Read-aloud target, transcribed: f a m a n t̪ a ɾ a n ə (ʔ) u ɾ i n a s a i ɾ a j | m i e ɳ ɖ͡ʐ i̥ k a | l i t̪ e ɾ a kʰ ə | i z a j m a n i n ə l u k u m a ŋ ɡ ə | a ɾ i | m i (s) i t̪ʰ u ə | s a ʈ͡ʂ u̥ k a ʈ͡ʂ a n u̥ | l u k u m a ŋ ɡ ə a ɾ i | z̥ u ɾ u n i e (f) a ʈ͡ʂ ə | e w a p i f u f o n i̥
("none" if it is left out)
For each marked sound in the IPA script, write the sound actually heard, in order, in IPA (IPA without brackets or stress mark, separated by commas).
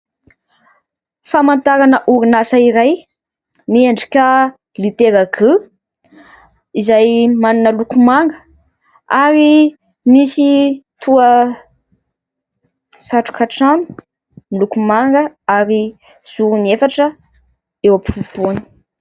ʔ, s, f